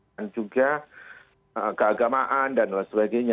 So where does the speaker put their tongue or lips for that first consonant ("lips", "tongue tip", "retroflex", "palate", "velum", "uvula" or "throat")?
tongue tip